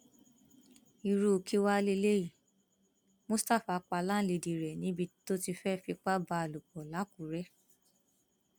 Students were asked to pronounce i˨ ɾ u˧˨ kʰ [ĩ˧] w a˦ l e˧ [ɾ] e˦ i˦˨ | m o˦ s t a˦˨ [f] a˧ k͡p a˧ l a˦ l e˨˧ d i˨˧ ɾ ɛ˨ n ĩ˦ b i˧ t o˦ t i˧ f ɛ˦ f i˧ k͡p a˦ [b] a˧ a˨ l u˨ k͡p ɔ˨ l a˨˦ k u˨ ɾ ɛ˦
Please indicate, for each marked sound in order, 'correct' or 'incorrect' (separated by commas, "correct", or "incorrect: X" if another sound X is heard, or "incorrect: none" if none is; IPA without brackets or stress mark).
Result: incorrect: i˧, incorrect: l, correct, correct